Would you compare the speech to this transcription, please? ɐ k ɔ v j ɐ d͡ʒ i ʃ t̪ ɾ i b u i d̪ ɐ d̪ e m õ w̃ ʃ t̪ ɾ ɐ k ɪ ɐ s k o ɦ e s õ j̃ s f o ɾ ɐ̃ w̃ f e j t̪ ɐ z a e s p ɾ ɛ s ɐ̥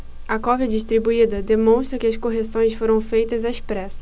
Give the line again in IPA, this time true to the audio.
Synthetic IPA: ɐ k ɔ v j ɐ d͡ʒ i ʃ t̪ ɾ i b u i d̪ ɐ d̪ e m õ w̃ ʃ t̪ ɾ ɐ k ɪ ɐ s k o ɦ e s õ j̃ s f o ɾ ɐ̃ w̃ f e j t̪ ɐ z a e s p ɾ ɛ s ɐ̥